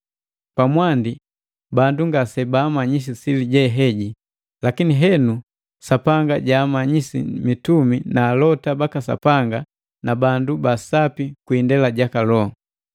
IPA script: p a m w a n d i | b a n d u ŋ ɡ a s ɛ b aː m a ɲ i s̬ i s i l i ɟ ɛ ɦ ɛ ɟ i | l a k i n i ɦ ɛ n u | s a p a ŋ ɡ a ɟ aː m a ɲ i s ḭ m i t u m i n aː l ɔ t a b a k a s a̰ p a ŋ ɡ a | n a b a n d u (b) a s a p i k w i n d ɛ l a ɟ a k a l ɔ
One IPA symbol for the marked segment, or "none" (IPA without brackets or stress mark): b